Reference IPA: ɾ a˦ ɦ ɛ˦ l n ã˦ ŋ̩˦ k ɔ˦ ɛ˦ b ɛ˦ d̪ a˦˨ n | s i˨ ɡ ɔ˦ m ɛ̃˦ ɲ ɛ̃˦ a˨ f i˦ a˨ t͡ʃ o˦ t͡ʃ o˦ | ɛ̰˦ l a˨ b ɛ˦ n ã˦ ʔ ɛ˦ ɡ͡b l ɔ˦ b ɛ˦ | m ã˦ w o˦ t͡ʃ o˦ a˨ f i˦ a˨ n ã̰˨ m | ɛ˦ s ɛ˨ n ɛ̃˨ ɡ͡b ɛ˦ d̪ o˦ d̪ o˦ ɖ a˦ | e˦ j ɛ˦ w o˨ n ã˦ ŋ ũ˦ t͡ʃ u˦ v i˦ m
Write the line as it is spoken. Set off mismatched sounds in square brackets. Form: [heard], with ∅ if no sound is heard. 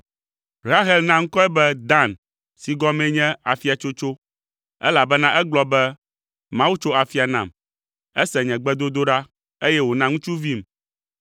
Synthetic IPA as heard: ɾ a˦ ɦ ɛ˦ l n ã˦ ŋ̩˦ k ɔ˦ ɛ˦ b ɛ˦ d̪ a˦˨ n | s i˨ ɡ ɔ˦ m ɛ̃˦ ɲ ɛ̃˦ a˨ f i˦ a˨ t͡ʃ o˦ t͡ʃ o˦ | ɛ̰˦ l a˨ b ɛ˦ n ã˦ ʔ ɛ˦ ɡ͡b l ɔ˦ b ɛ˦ | m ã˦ w [u˦] t͡ʃ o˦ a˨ f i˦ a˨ n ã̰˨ m | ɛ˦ s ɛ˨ [ɲ] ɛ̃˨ ɡ͡b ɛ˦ d̪ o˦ d̪ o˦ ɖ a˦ | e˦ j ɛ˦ w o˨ n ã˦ ŋ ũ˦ t͡ʃ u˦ v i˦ m